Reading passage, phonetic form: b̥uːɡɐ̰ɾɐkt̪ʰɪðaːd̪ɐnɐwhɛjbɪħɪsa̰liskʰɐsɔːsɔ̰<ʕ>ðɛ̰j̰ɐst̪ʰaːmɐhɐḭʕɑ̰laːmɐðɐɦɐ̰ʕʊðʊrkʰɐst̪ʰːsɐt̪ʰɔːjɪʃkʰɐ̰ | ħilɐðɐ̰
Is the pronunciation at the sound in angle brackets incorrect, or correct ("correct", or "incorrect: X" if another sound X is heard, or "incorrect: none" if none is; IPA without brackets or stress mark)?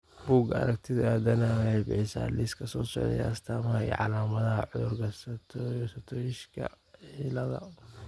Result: correct